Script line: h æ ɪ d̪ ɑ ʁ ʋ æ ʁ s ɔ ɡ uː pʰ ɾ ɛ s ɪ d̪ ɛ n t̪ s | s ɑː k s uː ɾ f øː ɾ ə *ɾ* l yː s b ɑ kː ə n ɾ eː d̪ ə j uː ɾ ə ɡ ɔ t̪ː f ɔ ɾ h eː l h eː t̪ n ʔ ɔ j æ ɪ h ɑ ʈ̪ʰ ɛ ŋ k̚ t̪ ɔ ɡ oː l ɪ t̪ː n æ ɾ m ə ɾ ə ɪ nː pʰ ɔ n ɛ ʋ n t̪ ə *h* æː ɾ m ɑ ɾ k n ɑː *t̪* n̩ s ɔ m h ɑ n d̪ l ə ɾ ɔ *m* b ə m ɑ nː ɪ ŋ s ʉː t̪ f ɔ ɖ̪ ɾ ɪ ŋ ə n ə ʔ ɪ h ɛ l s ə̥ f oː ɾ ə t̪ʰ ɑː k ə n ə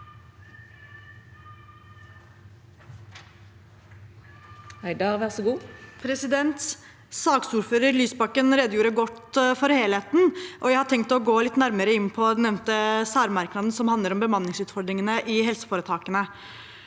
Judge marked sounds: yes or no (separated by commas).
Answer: yes, no, no, yes